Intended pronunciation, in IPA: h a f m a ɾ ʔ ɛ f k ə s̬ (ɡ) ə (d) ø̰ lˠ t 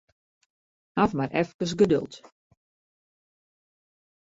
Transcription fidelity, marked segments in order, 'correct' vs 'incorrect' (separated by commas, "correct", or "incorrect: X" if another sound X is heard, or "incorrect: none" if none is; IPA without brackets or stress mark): correct, correct